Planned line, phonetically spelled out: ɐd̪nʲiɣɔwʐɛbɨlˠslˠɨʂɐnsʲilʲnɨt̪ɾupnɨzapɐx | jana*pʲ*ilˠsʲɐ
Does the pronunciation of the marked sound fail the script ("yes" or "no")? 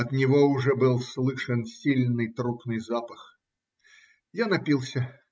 no